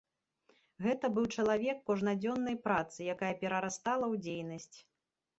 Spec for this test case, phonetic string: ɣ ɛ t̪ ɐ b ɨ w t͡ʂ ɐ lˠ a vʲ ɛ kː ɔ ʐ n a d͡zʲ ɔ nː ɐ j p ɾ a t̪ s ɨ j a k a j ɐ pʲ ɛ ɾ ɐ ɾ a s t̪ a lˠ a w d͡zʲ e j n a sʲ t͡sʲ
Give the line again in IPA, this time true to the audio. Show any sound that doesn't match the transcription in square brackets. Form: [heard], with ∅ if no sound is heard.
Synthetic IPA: ɣ ɛ t̪ ɐ b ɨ w t͡ʂ ɐ lˠ a vʲ ɛ kː ɔ ʐ n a d͡zʲ ɔ nː ɐ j p ɾ a t̪ s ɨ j a k a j ɐ pʲ ɛ ɾ ɐ ɾ a s t̪ a lˠ [ɐ] w d͡zʲ e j n [ɐ] sʲ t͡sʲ